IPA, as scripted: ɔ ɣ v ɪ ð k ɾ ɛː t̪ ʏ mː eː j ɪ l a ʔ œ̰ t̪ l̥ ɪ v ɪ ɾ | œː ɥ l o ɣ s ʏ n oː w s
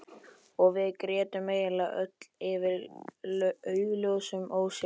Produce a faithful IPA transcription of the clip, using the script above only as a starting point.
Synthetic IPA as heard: ɔ ɣ v ɪ ð k ɾ ɛː t̪ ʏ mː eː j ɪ l a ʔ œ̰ t̪ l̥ ɪ v ɪ ɾ | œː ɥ l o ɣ s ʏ m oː w s